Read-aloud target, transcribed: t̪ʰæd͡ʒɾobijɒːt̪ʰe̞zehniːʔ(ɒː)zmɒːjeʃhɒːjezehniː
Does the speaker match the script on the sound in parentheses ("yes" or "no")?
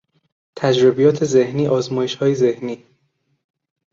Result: yes